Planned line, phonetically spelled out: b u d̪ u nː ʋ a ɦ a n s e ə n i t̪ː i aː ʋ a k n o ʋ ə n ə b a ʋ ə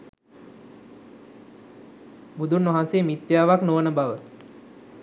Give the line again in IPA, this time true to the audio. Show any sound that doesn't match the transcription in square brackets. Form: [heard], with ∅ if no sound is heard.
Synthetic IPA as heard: b u d̪ u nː ʋ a ɦ a n s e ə [m] i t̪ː [j] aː ʋ a k n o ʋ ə n ə b a ʋ ə